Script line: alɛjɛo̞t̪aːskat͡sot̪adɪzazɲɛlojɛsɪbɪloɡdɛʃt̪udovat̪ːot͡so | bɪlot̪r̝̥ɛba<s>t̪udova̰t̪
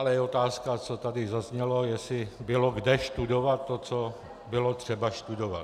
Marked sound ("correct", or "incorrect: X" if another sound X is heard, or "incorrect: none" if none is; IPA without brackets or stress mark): incorrect: ʃ